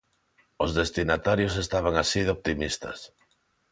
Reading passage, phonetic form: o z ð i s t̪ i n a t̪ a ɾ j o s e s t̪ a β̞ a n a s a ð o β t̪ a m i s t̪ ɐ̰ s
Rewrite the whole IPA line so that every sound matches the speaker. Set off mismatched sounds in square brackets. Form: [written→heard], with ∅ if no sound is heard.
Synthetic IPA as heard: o z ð [i→e] s t̪ i n a t̪ a ɾ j o s e s t̪ a β̞ a [n→ŋ] a s [a→i] ð o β t̪ [a→i] m i s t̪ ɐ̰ s